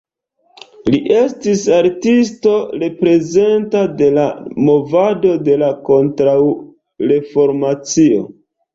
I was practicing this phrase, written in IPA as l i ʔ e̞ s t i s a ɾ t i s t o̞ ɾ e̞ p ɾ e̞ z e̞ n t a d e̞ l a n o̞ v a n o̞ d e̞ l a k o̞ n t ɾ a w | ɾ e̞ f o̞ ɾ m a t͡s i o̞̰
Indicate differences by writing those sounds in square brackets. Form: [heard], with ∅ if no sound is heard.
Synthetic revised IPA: l i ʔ e̞ s t i s a ɾ t i s t o̞ ɾ e̞ p ɾ e̞ z e̞ n t a d e̞ l a [m] o̞ v a [d] o̞ d e̞ l a k o̞ n t ɾ a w | ɾ e̞ f o̞ ɾ m a t͡s i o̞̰